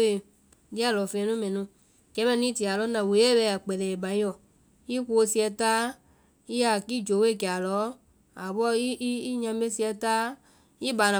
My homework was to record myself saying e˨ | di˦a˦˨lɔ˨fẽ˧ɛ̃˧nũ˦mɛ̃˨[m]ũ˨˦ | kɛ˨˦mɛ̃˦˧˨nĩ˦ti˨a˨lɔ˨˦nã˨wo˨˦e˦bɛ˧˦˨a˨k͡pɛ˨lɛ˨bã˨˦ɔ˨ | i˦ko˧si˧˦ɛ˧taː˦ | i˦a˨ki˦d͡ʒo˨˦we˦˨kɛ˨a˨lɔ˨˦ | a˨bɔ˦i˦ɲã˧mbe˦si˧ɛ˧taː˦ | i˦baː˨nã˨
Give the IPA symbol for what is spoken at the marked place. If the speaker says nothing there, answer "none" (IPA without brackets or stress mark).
n